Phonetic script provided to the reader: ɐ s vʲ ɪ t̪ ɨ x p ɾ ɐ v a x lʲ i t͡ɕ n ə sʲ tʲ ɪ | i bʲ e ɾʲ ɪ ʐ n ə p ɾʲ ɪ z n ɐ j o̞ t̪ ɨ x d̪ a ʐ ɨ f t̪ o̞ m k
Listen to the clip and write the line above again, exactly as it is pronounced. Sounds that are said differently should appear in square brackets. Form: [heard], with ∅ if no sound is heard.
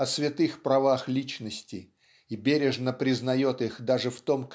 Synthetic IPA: ɐ s vʲ ɪ t̪ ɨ x p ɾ ɐ v a x lʲ i t͡ɕ n ə sʲ tʲ ɪ | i bʲ e ɾʲ ɪ ʐ n ə p ɾʲ ɪ z n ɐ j o̞ t̪ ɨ x d̪ a ʐ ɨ f t̪ o̞ m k